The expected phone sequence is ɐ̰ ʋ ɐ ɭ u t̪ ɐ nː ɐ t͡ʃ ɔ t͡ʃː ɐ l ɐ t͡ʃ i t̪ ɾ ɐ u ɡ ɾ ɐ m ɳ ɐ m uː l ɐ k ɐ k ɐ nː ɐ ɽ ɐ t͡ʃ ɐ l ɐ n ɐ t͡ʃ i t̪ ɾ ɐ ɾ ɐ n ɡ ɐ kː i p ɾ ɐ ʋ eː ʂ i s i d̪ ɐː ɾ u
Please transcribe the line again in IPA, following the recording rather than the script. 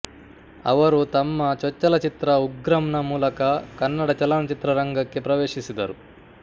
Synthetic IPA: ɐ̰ ʋ ɐ ɾ u t̪ ɐ mː ɐ t͡ʃ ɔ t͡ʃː ɐ l ɐ t͡ʃ i t̪ ɾ ɐ u ɡ ɾ ɐ m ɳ ɐ m uː l ɐ k ɐ k ɐ nː ɐ ɽ ɐ t͡ʃ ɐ l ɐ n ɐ t͡ʃ i t̪ ɾ ɐ ɾ ɐ ŋ ɡ ɐ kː i p ɾ ɐ ʋ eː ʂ i s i d̪ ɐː ɾ u